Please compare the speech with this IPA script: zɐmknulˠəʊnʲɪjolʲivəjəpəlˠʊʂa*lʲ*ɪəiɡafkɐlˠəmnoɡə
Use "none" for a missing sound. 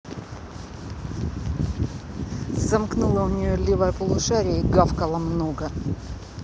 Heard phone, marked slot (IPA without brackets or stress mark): ɾʲ